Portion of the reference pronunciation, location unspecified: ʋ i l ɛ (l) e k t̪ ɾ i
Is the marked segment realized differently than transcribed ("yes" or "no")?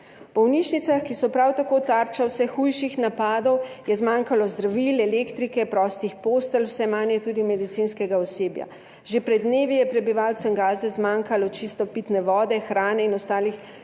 no